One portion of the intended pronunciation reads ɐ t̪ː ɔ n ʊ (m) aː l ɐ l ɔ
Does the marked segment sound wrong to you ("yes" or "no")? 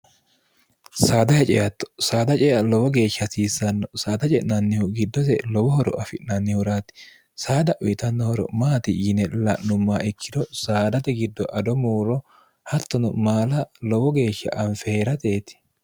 no